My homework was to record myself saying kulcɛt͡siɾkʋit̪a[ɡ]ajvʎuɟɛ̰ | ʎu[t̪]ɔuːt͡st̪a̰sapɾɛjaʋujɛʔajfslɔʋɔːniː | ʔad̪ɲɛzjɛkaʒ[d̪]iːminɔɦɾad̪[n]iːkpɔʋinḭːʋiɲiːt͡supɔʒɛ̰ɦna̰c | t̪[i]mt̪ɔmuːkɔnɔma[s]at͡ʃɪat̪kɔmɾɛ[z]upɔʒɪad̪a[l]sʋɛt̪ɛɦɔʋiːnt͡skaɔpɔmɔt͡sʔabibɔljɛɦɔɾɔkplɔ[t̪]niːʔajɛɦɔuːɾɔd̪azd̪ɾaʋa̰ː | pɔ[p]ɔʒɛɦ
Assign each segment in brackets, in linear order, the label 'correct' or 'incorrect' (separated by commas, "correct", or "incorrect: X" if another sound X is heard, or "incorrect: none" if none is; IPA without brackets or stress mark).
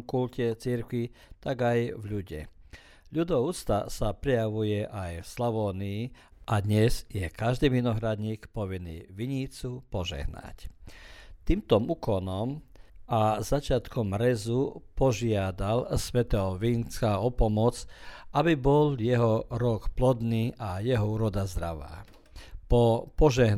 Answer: correct, incorrect: d̪, correct, incorrect: ɲ, incorrect: iː, incorrect: z, correct, correct, incorrect: d̪, correct